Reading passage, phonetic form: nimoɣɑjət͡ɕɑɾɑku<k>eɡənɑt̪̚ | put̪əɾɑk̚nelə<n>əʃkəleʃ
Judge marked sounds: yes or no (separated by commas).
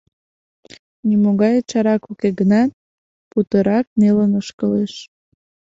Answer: yes, yes